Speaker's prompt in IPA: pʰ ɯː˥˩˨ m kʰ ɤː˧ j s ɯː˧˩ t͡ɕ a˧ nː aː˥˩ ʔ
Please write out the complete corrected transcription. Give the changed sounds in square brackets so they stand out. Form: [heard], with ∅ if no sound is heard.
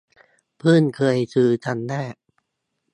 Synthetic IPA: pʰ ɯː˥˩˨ [n] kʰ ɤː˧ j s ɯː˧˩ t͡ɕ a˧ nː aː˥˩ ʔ